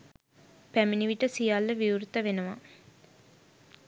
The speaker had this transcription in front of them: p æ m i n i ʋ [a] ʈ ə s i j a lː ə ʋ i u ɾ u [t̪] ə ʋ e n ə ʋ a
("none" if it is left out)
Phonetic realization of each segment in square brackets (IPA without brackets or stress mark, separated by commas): i, t̪